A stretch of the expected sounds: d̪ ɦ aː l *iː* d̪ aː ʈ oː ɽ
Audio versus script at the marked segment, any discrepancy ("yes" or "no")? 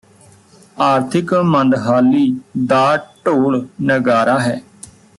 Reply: no